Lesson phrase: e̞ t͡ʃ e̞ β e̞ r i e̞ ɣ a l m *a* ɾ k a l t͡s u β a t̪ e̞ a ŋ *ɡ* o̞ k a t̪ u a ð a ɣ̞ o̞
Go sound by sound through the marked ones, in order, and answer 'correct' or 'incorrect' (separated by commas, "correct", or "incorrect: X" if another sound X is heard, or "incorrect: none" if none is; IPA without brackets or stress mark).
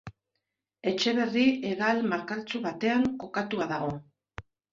correct, incorrect: k